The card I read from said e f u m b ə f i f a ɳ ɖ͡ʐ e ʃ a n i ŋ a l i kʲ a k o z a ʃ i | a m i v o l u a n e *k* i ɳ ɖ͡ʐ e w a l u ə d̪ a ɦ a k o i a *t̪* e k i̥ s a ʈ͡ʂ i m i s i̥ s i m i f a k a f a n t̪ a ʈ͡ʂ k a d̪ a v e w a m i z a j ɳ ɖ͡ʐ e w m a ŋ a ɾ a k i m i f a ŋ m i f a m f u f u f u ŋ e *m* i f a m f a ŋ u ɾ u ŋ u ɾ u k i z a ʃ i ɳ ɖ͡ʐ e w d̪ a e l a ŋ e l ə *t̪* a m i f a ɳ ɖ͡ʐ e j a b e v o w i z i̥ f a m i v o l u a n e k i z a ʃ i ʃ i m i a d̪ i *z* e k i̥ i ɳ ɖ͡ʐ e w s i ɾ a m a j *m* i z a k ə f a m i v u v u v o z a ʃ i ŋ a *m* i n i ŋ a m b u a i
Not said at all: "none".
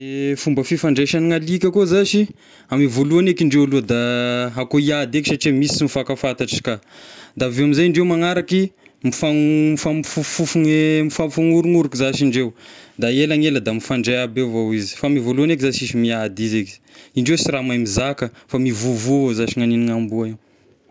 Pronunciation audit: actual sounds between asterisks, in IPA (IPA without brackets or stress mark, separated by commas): k, d̪, m, d̪, z, m, n